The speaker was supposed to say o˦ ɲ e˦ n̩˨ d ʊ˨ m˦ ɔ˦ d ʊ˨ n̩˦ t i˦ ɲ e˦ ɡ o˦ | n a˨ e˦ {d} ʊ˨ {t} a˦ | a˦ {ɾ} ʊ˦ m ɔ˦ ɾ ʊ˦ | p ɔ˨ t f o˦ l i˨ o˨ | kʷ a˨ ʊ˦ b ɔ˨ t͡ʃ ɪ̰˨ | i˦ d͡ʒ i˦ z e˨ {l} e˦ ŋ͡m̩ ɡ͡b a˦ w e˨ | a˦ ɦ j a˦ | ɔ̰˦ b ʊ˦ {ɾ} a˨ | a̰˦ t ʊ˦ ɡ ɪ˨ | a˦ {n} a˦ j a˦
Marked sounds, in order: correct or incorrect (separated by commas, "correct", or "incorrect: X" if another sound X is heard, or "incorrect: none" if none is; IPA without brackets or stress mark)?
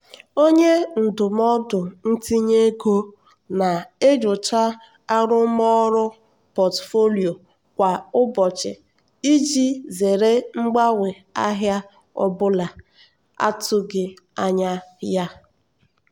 incorrect: d͡ʒ, incorrect: t͡ʃ, correct, incorrect: ɾ, incorrect: l, incorrect: ɲ